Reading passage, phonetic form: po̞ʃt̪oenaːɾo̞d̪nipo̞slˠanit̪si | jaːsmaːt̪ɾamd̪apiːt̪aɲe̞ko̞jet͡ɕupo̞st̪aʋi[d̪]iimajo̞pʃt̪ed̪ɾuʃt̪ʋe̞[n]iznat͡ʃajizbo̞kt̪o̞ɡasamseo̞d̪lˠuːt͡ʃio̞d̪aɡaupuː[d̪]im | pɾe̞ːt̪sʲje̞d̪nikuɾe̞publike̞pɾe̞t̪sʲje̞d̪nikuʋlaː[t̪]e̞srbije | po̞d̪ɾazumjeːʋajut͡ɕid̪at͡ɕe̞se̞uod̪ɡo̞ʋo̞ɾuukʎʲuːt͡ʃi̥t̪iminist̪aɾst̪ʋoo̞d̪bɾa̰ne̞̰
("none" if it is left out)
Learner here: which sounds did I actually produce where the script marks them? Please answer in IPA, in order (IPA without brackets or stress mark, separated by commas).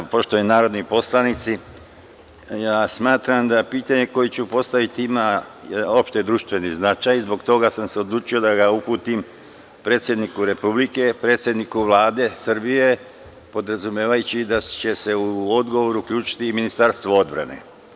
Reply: t̪, n, t̪, d̪